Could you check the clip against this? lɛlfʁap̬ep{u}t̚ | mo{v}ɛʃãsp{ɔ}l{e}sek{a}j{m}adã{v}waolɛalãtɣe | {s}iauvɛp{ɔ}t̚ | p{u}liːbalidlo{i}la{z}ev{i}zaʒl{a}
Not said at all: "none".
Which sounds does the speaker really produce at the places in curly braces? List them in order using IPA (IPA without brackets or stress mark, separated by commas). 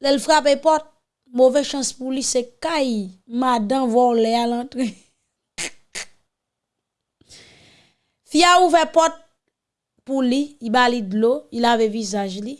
ɔ, v, u, i, a, m, v, f, ɔ, u, i, v, i, i